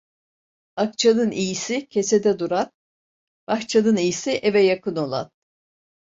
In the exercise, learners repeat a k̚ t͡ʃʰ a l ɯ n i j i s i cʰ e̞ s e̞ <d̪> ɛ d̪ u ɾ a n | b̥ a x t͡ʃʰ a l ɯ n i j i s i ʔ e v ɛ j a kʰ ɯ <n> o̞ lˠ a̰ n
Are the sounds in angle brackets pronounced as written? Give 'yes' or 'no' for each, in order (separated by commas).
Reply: yes, yes